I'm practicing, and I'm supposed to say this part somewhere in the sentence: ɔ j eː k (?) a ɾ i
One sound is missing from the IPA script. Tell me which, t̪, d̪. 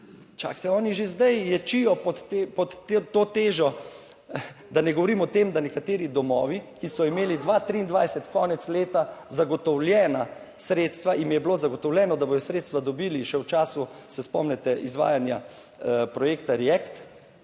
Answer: t̪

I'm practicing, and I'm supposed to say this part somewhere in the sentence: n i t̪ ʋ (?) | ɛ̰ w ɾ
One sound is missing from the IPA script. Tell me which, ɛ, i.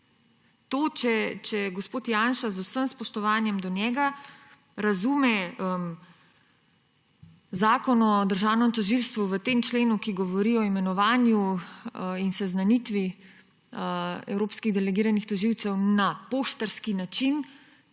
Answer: i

